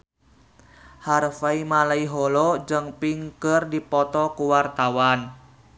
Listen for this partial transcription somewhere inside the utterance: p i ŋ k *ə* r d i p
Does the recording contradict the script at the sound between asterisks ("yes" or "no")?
no